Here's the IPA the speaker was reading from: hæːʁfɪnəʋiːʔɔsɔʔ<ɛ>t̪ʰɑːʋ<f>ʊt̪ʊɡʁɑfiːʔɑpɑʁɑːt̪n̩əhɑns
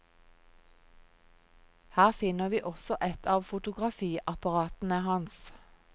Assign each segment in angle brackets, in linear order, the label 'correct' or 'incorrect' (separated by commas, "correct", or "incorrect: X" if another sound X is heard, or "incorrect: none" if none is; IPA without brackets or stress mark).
correct, correct